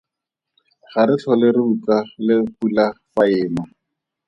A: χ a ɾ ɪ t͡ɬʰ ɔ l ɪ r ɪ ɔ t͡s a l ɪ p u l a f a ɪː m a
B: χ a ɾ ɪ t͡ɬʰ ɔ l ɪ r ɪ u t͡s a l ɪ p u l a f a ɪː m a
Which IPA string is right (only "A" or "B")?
B